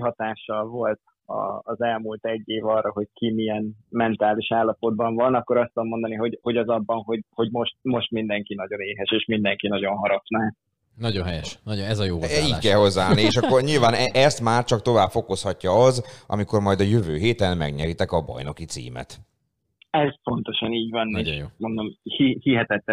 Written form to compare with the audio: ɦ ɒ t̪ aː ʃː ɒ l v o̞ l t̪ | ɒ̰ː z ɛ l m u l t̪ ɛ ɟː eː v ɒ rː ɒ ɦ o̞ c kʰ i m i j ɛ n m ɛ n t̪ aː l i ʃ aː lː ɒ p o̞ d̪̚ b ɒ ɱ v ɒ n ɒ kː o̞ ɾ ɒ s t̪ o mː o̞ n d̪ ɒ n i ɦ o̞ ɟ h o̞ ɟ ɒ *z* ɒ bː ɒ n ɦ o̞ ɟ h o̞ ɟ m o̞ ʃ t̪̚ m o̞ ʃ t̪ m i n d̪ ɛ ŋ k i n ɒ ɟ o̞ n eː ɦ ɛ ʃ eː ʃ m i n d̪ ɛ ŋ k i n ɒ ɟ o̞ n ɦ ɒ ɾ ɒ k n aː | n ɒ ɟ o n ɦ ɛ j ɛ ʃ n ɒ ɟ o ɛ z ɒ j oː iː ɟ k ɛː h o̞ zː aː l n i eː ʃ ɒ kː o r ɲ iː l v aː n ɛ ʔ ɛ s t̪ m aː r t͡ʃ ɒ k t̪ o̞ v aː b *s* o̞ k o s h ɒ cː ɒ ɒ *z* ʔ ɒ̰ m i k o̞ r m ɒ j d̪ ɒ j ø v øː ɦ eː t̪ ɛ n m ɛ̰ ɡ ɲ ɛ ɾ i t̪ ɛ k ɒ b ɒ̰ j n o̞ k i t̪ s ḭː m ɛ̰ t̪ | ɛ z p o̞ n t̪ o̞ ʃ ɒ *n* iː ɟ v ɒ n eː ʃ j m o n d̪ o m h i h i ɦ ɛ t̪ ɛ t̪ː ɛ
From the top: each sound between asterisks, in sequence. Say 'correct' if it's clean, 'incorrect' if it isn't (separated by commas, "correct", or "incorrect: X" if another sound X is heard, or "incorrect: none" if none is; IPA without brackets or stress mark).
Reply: correct, incorrect: f, correct, correct